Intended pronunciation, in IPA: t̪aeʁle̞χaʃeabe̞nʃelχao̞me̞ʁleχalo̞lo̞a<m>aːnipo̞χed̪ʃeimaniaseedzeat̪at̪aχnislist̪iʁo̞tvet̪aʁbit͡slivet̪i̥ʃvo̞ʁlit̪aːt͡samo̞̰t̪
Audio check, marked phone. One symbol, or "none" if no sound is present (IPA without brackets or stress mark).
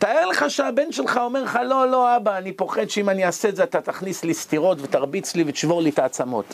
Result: b